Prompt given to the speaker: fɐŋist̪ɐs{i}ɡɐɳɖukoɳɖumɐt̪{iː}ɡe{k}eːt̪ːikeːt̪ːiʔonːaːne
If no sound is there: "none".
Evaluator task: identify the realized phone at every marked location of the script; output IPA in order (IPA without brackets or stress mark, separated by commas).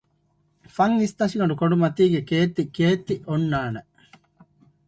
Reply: i, iː, k